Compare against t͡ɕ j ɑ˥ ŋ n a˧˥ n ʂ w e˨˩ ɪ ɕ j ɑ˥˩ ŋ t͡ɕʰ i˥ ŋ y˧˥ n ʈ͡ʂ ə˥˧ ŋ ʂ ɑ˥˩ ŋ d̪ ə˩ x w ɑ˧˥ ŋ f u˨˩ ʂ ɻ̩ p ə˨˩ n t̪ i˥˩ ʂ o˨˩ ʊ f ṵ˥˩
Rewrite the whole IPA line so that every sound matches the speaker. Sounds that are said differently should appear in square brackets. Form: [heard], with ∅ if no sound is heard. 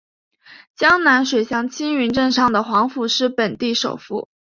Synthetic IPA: t͡ɕ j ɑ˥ ŋ n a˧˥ n ʂ w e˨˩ ɪ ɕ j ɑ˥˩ ŋ t͡ɕʰ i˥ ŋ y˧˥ n ʈ͡ʂ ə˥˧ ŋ ʂ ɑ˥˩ ŋ d̪ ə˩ x w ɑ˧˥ ŋ f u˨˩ ʂ ɻ̩ p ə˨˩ n t̪ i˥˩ ʂ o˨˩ ʊ f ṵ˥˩